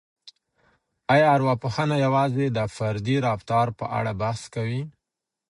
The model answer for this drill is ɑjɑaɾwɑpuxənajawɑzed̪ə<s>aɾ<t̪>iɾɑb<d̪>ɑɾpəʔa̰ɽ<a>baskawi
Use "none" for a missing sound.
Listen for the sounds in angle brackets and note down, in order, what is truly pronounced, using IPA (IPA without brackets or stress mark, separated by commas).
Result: f, d̪, t̪, a